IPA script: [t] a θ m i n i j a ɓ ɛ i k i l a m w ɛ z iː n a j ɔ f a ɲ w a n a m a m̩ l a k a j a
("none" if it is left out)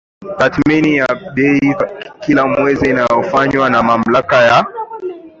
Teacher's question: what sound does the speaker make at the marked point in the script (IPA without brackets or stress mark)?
t